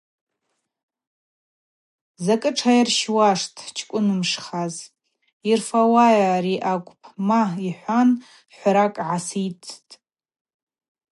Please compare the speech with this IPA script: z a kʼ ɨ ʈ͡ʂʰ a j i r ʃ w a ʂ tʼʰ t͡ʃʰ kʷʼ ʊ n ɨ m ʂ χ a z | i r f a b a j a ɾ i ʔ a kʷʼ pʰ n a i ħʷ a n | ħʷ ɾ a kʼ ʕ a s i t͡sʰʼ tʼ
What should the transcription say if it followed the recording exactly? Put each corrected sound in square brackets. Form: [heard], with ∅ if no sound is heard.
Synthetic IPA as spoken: z a kʼ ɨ ʈ͡ʂʰ a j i r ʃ w a ʂ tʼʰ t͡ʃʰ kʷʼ ʊ n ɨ m ʂ χ a z | i r f a [w] a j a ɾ i ʔ a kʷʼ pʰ [m] a i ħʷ a n | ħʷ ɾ a kʼ ʕ a s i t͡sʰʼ tʼ